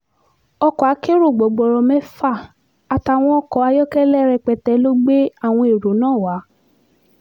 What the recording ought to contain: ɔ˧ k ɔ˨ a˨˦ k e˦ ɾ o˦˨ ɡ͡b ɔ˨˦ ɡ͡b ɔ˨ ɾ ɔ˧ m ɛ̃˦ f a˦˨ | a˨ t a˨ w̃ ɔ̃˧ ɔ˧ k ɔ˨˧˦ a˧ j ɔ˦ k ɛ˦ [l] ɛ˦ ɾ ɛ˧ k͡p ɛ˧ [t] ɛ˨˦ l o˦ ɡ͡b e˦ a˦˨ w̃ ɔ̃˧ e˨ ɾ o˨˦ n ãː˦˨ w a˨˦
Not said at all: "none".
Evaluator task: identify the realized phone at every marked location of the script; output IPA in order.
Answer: l, t

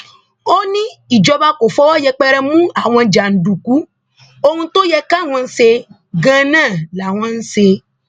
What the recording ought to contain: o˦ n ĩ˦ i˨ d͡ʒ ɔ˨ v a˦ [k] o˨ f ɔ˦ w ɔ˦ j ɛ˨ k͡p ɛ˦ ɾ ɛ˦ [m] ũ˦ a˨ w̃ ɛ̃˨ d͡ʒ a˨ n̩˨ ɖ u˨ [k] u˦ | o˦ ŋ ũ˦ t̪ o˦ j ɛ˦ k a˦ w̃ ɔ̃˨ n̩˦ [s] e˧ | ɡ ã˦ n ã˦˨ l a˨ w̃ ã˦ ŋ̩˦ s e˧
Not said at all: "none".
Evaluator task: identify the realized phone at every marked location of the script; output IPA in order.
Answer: k, m, k, s

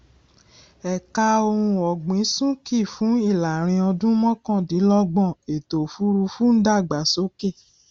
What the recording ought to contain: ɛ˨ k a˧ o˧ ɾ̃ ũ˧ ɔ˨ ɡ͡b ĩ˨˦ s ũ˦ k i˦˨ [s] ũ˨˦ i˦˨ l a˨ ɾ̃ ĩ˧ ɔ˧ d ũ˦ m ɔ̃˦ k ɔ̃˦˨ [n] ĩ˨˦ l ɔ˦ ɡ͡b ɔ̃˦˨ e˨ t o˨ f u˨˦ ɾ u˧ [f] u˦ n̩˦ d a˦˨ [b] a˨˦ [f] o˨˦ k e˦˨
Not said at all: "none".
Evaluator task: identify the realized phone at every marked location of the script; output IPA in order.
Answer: f, d, f, ɡ͡b, s

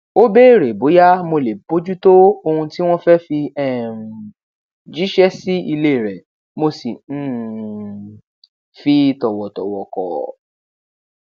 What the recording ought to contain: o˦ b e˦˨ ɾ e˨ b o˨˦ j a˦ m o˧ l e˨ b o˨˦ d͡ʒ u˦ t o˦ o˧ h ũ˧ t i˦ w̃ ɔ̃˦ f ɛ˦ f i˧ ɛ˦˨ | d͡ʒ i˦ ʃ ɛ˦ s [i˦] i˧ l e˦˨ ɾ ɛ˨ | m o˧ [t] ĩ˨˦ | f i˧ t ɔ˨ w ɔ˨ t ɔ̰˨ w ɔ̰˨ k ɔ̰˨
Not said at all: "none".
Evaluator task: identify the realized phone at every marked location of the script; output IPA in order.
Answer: i˦, s

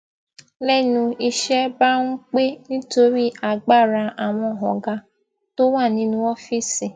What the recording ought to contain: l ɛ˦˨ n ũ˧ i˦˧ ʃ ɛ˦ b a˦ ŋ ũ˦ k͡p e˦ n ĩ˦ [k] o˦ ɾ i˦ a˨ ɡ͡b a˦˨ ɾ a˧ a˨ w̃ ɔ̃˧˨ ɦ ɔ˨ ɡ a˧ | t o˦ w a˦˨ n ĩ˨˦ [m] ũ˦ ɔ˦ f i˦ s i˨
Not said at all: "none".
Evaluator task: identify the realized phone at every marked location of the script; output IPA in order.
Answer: t, n

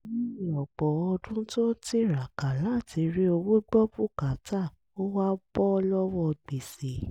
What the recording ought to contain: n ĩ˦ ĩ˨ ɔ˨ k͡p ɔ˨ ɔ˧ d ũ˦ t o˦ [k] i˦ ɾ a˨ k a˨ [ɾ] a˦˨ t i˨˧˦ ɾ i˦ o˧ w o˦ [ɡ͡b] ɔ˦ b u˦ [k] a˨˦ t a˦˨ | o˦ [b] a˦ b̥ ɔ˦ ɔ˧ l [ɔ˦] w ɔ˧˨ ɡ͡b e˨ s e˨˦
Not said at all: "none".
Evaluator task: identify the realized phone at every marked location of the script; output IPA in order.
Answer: t, l, ɡ͡b, k, w, ɔ˦

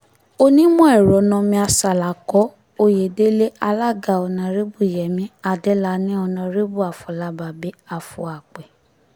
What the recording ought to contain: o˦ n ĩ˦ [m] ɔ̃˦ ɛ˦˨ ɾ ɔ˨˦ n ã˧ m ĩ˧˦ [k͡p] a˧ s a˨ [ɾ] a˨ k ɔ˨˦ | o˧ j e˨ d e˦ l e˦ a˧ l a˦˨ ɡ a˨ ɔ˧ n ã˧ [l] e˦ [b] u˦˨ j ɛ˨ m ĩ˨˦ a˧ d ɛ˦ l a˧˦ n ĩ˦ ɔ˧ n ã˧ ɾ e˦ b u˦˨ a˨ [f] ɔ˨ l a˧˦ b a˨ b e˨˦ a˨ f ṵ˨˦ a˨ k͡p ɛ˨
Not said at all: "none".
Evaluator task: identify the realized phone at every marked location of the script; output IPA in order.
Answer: m, none, l, ɾ, b, f

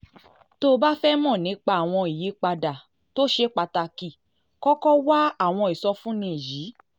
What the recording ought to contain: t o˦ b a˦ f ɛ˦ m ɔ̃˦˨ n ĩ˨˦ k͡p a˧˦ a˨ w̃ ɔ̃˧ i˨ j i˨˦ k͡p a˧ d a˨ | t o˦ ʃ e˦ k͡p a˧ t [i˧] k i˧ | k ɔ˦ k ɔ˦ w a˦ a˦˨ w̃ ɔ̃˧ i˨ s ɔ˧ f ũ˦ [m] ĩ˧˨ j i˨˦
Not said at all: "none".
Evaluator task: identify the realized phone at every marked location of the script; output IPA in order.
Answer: a˧, n

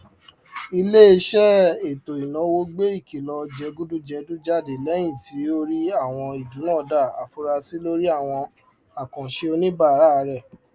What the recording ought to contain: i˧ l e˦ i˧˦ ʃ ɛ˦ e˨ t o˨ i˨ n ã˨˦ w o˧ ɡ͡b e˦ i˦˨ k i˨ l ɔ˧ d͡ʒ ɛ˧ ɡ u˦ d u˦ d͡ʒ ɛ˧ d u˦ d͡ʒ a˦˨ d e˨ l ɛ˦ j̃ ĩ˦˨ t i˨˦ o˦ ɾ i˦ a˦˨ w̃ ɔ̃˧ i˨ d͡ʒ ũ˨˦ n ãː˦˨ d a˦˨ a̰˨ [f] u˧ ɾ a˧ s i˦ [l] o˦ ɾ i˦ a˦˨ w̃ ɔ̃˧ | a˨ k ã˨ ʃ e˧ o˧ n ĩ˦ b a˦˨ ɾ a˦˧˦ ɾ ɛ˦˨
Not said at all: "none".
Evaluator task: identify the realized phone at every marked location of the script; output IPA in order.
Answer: f, l

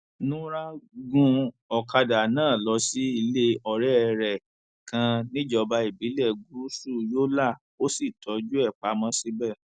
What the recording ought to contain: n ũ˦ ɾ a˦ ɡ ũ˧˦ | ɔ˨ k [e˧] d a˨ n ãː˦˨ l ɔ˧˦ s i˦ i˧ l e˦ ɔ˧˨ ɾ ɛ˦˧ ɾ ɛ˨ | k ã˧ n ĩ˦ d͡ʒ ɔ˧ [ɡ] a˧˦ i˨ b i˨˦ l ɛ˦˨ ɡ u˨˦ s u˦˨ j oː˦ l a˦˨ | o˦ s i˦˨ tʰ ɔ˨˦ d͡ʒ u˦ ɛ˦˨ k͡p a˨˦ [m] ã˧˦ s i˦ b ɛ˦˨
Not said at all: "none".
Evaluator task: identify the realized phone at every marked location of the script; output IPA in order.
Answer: a˧, b, m

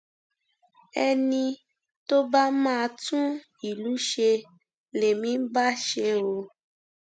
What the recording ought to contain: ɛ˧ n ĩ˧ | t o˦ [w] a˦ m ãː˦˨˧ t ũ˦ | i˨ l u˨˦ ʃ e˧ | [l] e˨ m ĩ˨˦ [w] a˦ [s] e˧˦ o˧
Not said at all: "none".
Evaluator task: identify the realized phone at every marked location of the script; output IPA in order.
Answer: b, l, b, ʃ

